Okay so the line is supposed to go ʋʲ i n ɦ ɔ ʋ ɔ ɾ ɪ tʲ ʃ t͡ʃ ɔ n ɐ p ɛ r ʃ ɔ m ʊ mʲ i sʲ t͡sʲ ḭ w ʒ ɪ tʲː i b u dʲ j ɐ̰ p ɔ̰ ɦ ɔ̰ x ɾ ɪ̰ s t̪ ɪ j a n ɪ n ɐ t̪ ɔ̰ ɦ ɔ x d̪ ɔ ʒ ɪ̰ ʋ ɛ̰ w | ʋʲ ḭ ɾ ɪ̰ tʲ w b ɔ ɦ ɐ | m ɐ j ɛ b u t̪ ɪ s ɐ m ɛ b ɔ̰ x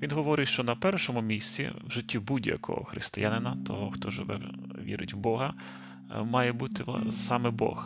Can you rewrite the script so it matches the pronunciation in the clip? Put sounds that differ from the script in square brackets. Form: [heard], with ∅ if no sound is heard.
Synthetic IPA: ʋʲ i n ɦ ɔ ʋ ɔ ɾ ɪ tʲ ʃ t͡ʃ ɔ n ɐ p ɛ r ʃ ɔ m ʊ mʲ i sʲ t͡sʲ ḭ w ʒ ɪ tʲː i b u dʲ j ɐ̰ [k] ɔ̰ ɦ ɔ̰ x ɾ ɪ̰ s t̪ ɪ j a n ɪ n ɐ t̪ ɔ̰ ɦ ɔ x [t̪] ɔ ʒ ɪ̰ ʋ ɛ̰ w | ʋʲ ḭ ɾ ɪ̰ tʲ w b ɔ ɦ ɐ | m [ɑ] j ɛ b u t̪ ɪ s [ɑ] m ɛ b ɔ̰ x